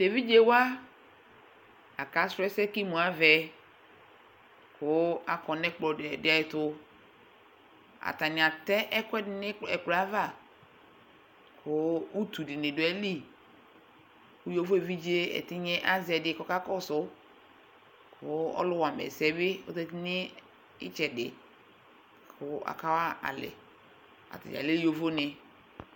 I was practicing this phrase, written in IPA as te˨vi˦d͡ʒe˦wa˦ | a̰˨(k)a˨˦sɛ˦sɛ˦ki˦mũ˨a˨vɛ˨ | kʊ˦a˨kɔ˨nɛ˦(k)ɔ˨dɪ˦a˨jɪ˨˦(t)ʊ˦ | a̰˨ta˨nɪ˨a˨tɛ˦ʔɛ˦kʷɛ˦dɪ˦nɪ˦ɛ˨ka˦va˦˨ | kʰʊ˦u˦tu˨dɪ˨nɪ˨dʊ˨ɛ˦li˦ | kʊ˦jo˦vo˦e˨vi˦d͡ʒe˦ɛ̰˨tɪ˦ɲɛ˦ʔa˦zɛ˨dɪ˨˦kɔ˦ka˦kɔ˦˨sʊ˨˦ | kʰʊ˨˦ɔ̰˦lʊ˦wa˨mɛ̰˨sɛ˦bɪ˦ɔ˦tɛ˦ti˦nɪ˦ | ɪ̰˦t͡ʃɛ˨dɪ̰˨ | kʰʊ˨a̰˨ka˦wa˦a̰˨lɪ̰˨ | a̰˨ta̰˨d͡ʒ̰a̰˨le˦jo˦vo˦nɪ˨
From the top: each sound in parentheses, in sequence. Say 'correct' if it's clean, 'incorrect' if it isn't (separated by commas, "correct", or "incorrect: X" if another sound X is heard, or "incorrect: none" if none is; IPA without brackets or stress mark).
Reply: correct, incorrect: k͡p, correct